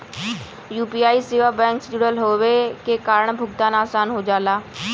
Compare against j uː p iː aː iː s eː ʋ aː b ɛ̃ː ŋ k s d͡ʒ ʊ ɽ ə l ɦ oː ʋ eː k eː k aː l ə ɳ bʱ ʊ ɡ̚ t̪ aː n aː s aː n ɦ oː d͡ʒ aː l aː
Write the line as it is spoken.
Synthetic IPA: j uː p iː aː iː s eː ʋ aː b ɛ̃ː ŋ k s d͡ʒ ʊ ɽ ə l ɦ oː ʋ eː k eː k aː ɾ ə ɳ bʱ ʊ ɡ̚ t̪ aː n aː s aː n ɦ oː d͡ʒ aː l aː